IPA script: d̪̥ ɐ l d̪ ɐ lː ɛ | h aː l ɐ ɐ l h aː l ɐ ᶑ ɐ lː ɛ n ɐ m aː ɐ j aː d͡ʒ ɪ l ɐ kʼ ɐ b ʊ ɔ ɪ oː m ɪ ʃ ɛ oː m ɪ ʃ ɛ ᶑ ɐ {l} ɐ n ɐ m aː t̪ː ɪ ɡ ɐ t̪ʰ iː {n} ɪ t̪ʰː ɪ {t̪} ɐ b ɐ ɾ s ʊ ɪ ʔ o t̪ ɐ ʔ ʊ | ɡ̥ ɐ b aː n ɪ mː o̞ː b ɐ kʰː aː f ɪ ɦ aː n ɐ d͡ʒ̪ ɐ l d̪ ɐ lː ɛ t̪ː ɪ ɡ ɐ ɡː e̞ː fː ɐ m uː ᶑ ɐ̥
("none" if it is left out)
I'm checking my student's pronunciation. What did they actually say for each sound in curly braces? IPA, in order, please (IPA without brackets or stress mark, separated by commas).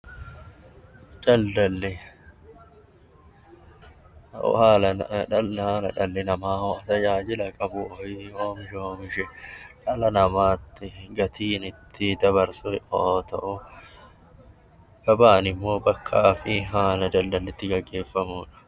l, n, d̪